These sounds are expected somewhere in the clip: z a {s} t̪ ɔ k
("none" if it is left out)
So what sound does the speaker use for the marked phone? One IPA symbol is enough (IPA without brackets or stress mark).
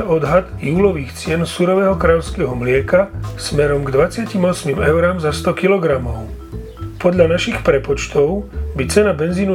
s